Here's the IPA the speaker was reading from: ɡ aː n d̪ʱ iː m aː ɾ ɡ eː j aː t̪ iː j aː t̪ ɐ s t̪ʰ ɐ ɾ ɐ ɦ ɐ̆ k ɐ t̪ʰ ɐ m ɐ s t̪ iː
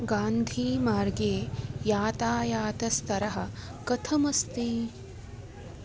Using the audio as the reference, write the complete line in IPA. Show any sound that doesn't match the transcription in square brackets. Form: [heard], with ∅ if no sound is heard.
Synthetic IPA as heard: ɡ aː n d̪ʱ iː m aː ɾ ɡ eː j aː t̪ [aː] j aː t̪ ɐ s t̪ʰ ɐ ɾ ɐ ɦ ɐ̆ k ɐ t̪ʰ ɐ m ɐ s t̪ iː